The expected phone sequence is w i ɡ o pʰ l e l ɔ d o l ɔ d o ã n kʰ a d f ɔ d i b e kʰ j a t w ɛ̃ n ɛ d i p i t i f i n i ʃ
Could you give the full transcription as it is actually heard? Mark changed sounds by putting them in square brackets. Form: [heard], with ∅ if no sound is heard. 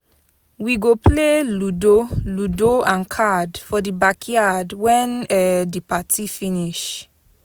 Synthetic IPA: w i ɡ o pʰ l e l [u] d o l [u] d o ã n kʰ a d f ɔ d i b [a] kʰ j a [d] w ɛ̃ n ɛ d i p [a] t i f i n i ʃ